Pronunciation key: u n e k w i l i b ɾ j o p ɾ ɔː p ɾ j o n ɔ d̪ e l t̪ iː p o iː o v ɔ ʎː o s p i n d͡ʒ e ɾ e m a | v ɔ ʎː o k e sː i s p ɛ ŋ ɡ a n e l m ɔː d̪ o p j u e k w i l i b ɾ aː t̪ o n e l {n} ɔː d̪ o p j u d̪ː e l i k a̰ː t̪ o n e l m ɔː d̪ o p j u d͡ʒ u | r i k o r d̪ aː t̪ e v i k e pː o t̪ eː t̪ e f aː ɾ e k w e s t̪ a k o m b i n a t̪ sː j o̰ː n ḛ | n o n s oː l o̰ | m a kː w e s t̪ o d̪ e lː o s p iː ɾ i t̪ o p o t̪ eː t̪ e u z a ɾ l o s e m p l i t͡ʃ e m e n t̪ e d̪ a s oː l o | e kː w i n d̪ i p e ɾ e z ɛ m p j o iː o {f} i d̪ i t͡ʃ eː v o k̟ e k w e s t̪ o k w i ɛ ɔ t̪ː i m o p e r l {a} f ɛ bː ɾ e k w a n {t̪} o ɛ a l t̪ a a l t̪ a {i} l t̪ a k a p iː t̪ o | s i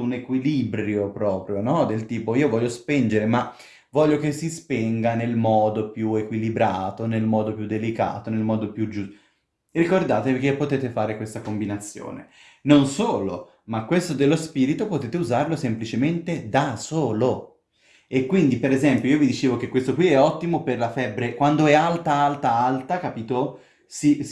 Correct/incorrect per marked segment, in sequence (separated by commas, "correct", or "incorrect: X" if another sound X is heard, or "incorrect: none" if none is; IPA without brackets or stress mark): incorrect: m, incorrect: v, correct, incorrect: d̪, incorrect: a